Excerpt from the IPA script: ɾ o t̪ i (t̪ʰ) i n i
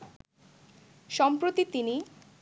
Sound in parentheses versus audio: incorrect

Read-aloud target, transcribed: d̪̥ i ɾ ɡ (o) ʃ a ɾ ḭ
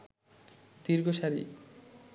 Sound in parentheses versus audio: correct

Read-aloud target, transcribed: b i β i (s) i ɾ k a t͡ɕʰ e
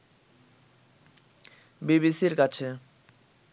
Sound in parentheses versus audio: correct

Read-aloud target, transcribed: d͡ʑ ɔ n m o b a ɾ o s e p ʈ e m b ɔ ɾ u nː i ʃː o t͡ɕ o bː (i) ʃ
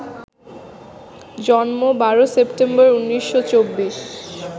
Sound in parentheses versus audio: correct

